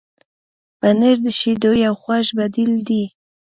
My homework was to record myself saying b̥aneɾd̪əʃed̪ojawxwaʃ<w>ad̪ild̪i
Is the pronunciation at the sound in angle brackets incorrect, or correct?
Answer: incorrect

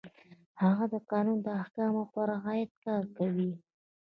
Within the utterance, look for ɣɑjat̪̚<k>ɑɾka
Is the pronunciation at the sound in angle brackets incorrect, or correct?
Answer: correct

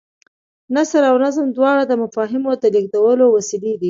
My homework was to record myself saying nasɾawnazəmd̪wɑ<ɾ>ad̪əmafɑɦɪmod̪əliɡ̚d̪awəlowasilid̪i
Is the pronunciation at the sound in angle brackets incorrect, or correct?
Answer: incorrect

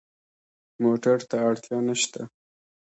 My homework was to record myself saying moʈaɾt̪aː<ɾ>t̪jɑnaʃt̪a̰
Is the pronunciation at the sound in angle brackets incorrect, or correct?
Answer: incorrect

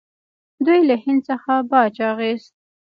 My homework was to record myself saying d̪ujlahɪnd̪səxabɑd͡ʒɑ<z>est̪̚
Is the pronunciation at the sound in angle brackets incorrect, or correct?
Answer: incorrect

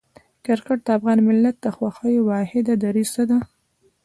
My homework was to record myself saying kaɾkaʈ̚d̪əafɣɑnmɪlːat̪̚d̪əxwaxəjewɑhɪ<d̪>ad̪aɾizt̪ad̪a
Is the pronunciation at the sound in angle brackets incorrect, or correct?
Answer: correct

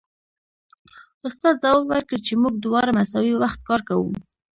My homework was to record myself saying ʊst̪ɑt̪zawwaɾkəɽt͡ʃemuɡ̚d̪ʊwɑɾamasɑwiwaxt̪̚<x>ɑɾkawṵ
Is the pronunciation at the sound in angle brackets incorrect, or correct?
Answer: incorrect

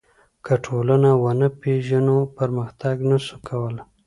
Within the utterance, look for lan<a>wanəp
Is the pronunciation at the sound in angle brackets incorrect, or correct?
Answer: correct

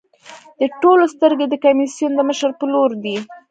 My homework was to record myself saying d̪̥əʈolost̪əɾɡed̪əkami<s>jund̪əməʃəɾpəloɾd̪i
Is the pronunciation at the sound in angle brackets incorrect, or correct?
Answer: correct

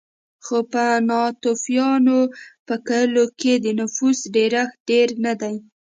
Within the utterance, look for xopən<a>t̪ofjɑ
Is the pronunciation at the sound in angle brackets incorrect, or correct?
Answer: incorrect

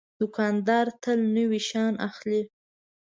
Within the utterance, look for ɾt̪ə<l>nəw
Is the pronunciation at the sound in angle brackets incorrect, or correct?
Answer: correct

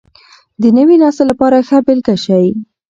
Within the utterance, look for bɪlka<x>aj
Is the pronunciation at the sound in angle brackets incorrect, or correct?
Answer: incorrect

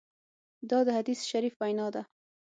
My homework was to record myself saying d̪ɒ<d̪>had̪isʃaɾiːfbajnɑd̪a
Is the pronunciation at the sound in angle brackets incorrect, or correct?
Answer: correct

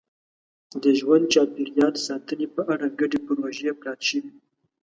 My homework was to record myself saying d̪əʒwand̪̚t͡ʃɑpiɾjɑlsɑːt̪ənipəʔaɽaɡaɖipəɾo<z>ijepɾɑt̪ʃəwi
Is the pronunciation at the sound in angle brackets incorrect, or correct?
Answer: incorrect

